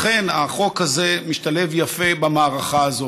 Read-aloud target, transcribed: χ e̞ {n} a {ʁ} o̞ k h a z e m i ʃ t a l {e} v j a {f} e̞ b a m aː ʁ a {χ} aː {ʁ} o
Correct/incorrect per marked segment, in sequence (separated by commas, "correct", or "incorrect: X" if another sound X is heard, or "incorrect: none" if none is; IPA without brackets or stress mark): correct, incorrect: χ, correct, correct, correct, incorrect: z